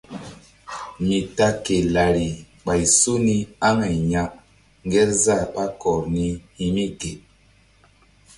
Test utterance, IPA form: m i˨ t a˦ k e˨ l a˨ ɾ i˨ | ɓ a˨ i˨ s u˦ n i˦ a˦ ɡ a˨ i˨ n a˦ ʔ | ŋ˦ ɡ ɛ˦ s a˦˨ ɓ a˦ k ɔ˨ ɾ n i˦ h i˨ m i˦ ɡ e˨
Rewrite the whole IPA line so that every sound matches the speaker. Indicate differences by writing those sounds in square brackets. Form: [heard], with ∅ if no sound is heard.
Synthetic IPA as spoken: m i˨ t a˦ k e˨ l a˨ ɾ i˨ | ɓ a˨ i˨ s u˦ n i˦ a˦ [ŋ] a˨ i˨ [ɲ] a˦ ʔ | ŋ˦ ɡ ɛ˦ [z] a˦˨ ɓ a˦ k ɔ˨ ɾ n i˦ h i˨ m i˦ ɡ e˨